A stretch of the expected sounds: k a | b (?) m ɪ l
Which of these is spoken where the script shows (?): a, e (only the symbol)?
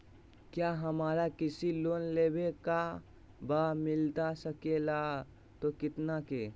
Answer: a